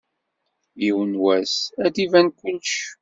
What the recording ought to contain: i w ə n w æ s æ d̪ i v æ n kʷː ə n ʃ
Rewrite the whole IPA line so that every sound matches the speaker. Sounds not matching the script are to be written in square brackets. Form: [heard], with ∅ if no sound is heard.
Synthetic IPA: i w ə n w æ s æ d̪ i v æ n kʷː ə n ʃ